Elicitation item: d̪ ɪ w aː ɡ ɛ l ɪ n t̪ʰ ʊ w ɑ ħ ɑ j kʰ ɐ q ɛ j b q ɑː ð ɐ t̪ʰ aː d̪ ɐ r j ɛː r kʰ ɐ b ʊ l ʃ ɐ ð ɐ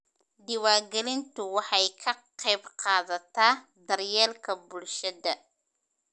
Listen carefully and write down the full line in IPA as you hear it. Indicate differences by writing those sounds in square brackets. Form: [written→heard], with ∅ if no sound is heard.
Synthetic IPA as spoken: d̪ ɪ w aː ɡ ɛ l ɪ n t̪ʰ ʊ w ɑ ħ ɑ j kʰ ɐ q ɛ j b q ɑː ð ɐ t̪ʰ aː d̪ ɐ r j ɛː [r→l] kʰ ɐ b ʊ l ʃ ɐ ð ɐ